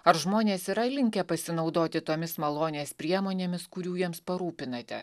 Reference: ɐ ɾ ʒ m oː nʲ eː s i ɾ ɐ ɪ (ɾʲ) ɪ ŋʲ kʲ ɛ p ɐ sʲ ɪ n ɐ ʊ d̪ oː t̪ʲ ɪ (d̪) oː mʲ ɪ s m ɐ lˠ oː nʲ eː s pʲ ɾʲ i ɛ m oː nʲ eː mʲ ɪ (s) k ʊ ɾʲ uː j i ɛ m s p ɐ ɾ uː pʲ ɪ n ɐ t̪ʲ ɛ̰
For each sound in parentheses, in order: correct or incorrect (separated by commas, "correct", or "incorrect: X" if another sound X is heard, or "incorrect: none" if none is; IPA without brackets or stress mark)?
incorrect: lʲ, incorrect: t̪, correct